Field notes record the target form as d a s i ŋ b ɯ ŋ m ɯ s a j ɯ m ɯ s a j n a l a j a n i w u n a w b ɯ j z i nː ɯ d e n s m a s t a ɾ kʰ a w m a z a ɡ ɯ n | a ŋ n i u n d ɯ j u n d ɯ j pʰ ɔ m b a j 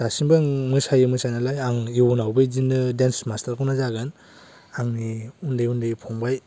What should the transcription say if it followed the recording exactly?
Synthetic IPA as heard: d a s i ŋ b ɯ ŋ m ɯ s a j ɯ m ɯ s a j n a l a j a ŋ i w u n a w b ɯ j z i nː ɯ d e n s m a s t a ɾ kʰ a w n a z a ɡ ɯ n | a ŋ n i u n d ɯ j u n d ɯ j pʰ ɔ ŋ b a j